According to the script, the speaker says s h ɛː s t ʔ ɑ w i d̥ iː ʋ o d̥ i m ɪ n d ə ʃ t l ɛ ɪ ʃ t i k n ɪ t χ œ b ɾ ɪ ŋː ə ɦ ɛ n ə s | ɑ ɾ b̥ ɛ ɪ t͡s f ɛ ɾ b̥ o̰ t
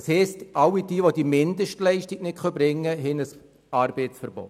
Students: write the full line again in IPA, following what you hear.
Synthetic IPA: s h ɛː s t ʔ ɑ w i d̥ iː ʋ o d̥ i m ɪ n d ə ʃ t l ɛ ɪ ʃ t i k n ɪ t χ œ b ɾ ɪ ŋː ə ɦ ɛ n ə s | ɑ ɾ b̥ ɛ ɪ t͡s f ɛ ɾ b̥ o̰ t